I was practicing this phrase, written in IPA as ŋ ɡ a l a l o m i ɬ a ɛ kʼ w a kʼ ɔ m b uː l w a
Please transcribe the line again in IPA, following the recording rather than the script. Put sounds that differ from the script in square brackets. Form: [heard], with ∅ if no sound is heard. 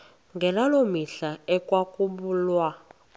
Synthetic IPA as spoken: ŋ ɡ [ɛ] l a l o m i ɬ a ɛ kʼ w a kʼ [u] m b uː l w a